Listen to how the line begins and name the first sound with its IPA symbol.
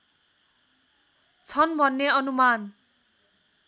t͡sʰ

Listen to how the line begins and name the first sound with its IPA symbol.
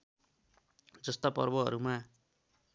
d͡z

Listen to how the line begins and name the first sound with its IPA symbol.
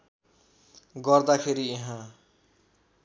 ɡ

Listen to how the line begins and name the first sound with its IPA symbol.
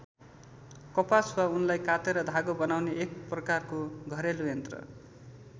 k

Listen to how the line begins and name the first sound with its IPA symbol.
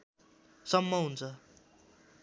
s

